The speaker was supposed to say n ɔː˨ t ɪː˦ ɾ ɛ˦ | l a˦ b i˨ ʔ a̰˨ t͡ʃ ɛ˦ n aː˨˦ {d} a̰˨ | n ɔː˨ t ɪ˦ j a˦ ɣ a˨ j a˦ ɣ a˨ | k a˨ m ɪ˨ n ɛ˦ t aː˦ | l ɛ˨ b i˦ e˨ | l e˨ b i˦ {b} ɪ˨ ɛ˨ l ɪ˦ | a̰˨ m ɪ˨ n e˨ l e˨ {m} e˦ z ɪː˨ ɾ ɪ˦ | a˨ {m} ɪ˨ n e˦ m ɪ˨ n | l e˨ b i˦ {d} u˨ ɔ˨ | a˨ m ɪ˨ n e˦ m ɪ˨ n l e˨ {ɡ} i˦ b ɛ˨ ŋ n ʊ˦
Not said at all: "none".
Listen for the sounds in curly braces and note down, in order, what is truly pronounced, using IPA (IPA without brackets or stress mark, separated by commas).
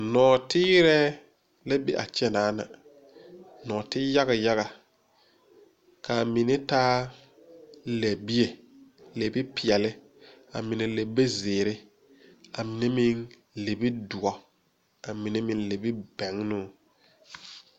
n, p, b, m, d, b